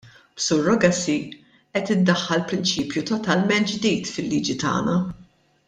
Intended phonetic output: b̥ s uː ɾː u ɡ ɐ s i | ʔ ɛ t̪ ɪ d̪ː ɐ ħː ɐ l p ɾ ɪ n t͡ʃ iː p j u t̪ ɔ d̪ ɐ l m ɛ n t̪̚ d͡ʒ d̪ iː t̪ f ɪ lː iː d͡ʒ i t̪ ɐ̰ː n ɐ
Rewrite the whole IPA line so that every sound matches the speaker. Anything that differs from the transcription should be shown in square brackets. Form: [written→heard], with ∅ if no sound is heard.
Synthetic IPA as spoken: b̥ s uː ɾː [u→ɔ] ɡ ɐ s i | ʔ ɛ t̪ ɪ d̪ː ɐ ħː ɐ l p ɾ ɪ n t͡ʃ iː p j u t̪ ɔ [d̪→t̪] ɐ l m ɛ n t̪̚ d͡ʒ d̪ iː t̪ f ɪ lː iː d͡ʒ i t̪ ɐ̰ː n ɐ

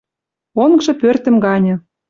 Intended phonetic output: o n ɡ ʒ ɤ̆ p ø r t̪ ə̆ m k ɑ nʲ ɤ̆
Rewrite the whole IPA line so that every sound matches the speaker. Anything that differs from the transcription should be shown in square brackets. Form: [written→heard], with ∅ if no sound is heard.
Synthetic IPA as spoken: o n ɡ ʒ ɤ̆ p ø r t̪ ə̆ m [k→ɡ] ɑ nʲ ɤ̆

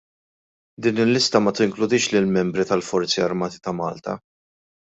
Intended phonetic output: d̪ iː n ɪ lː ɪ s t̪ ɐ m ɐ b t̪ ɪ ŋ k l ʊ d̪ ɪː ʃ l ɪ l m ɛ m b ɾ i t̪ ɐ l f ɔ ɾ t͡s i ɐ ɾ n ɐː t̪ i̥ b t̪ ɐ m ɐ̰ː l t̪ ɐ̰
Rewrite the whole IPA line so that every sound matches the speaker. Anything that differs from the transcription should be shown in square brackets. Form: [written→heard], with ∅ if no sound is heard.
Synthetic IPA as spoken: d̪ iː n ɪ lː ɪ s t̪ ɐ m ɐ [b→∅] t̪ ɪ ŋ k l ʊ d̪ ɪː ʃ l ɪ l m ɛ m b ɾ i t̪ ɐ l f ɔ ɾ t͡s i ɐ ɾ [n→m] ɐː t̪ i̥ [b→∅] t̪ ɐ m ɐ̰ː l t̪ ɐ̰

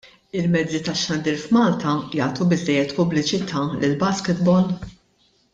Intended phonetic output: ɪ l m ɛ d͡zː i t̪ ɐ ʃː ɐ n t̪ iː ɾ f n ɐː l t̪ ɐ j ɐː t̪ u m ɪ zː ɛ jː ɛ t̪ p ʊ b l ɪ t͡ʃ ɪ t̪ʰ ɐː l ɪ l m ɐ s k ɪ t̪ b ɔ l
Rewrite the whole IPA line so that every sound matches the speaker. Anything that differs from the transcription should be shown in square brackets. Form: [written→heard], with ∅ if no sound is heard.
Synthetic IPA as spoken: ɪ l m ɛ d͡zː i t̪ ɐ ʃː ɐ n [t̪→d̪] iː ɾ f [n→m] ɐː l t̪ ɐ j ɐː t̪ u [m→b] ɪ zː ɛ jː ɛ t̪ p ʊ b l ɪ t͡ʃ ɪ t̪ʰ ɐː l ɪ l [m→b] ɐ s k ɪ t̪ b ɔ l

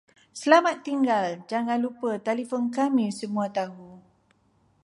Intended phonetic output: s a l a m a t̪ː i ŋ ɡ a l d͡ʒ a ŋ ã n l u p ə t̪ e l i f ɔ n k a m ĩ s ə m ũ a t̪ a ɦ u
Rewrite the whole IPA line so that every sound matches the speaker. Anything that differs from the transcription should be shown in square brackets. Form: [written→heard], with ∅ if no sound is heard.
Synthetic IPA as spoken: s [a→ə] l a m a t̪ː i ŋ ɡ a l d͡ʒ a ŋ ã n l u p ə t̪ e l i f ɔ n k a m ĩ s ə m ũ a t̪ a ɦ u

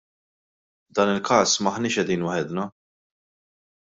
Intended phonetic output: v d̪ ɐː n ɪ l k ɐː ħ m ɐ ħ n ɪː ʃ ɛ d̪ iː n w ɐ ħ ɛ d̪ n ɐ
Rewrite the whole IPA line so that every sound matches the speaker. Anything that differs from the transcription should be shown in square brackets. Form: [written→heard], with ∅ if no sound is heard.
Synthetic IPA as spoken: v d̪ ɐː n ɪ l k ɐː [ħ→s] m ɐ ħ n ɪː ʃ ɛ d̪ iː n w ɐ ħ ɛ d̪ n ɐ

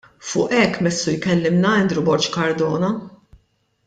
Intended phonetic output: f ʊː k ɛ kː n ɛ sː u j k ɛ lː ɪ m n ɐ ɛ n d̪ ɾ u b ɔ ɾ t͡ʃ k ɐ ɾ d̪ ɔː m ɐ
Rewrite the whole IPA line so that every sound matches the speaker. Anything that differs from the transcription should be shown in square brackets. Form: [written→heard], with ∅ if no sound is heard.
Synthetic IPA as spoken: f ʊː [k→ʔ] ɛ kː [n→m] ɛ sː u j k ɛ lː ɪ m n ɐ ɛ n d̪ ɾ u b ɔ ɾ t͡ʃ k ɐ ɾ d̪ ɔː [m→n] ɐ

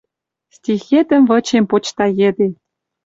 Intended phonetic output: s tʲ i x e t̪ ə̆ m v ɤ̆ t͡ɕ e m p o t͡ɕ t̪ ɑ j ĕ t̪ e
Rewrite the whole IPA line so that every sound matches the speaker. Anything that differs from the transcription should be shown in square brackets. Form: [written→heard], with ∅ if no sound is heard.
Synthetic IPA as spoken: s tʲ i x e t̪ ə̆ m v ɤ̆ t͡ɕ e m p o t͡ɕ t̪ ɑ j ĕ [t̪→d̪] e

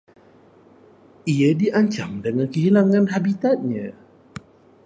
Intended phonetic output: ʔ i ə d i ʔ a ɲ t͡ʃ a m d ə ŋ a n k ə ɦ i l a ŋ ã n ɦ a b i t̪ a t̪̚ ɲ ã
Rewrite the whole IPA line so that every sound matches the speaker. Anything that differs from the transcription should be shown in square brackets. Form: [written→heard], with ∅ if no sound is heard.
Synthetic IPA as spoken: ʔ i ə d i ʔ a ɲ t͡ʃ a m d ə ŋ a n k ə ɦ i l a ŋ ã n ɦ a b i t̪ a t̪̚ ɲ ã

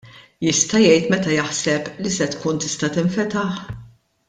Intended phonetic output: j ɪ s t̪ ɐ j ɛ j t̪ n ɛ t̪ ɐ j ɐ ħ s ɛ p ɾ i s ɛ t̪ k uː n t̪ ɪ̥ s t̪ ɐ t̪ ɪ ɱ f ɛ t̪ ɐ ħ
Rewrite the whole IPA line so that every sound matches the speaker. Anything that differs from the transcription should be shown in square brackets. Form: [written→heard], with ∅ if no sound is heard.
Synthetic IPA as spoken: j ɪ s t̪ ɐ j ɛ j t̪ [n→m] ɛ t̪ ɐ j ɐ ħ s ɛ p [ɾ→l] i s ɛ t̪ k uː n t̪ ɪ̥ s t̪ ɐ t̪ ɪ ɱ f ɛ t̪ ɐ ħ

